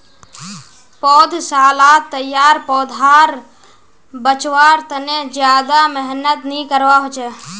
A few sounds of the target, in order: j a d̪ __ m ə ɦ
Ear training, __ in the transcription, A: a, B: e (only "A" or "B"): A